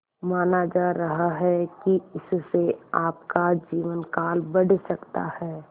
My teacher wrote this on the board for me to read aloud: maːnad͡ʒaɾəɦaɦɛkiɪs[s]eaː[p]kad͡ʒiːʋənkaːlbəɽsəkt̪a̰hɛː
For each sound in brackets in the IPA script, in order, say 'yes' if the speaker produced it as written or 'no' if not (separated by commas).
yes, yes